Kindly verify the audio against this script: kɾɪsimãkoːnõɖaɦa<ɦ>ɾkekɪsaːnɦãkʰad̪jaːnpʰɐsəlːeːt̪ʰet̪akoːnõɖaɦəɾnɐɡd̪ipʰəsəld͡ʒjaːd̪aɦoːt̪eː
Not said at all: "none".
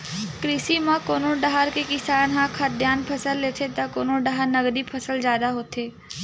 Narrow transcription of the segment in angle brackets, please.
none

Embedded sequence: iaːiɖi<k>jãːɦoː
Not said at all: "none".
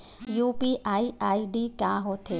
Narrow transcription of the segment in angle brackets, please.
k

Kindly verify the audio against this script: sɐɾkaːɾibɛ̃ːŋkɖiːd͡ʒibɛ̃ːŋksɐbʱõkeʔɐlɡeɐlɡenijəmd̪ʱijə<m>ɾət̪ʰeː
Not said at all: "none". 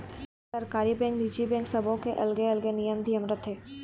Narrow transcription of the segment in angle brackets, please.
m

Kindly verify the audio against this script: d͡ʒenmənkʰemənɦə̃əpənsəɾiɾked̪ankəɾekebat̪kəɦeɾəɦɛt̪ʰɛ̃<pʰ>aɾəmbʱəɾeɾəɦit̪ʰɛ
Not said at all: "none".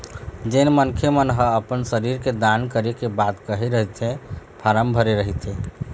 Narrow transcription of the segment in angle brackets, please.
pʰ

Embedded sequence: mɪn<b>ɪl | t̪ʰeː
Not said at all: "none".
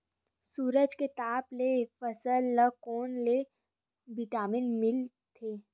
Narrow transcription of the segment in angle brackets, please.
m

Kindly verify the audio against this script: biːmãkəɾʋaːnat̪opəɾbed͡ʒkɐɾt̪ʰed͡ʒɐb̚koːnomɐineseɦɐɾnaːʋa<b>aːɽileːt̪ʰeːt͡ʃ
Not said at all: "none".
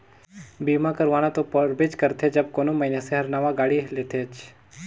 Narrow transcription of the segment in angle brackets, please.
ɡ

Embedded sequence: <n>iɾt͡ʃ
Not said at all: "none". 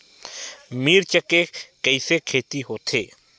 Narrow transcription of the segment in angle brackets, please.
m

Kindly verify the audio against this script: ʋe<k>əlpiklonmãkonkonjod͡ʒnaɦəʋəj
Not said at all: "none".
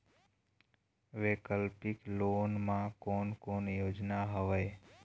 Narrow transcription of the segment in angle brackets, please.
k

